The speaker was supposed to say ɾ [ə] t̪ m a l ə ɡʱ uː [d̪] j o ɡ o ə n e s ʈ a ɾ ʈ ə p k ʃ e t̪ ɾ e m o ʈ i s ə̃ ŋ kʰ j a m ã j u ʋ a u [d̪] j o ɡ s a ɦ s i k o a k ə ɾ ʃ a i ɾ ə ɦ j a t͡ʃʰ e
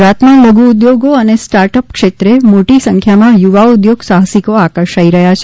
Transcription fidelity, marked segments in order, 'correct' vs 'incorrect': incorrect, correct, correct

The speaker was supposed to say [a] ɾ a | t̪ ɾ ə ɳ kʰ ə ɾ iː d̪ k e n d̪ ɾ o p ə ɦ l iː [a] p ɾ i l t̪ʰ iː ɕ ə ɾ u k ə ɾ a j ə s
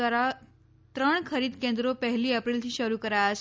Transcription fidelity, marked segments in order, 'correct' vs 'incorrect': correct, incorrect

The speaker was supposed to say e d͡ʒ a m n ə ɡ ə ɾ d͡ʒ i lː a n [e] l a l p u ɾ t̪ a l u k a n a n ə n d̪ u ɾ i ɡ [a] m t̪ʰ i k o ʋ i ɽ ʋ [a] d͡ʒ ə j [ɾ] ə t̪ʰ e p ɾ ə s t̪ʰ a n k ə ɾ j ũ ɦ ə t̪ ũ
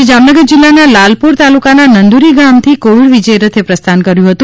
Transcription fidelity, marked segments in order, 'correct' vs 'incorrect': incorrect, correct, incorrect, correct

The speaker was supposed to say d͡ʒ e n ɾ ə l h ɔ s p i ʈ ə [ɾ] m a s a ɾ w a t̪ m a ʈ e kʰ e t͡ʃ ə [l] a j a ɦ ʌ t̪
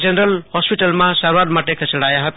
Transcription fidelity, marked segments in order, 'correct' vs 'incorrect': incorrect, incorrect

